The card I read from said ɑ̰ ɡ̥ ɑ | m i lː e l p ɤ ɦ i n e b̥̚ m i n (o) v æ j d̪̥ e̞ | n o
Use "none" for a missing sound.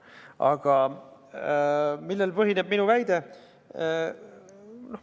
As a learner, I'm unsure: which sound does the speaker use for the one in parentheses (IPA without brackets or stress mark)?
u